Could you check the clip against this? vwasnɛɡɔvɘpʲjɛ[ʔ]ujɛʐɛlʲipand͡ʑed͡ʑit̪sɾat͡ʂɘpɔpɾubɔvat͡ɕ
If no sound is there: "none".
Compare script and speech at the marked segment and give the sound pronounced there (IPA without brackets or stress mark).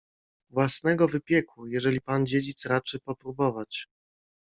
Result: k